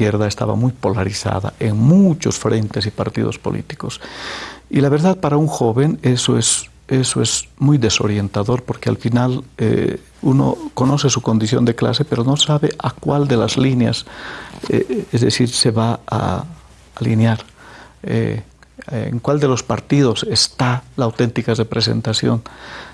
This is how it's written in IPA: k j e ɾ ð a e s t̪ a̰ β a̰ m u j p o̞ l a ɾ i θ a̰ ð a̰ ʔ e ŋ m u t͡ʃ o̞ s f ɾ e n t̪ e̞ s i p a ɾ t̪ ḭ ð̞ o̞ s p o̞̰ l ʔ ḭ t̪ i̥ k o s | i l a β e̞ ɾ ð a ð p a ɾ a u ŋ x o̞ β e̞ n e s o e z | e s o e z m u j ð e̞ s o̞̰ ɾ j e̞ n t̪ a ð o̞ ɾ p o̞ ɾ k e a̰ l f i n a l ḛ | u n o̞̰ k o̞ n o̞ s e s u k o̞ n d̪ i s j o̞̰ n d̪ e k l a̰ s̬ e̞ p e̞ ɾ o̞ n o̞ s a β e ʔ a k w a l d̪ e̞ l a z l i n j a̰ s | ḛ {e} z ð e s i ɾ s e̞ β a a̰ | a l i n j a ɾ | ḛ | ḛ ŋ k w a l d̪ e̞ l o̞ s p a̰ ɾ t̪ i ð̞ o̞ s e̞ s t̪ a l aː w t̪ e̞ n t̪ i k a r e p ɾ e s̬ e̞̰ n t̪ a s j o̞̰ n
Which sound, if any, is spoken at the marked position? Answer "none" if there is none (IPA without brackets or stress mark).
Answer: e